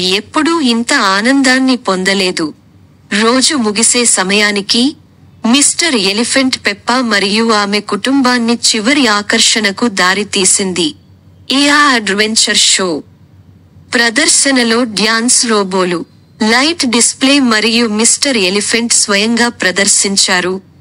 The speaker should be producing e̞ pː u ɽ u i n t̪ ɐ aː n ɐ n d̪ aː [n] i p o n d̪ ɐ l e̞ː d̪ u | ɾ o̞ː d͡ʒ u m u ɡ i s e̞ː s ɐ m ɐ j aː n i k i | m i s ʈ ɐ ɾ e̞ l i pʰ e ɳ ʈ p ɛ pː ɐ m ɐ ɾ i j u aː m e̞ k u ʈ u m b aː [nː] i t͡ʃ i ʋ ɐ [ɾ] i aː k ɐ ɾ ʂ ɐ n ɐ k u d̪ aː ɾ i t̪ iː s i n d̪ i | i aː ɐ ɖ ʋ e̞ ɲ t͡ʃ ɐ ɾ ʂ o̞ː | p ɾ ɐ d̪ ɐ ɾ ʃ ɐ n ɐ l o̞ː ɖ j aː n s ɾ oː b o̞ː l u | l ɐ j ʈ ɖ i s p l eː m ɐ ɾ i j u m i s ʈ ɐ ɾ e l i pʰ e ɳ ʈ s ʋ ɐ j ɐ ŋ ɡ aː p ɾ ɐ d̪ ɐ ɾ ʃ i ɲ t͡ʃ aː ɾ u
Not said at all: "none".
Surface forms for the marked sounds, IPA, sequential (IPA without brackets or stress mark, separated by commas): nː, nː, ɾ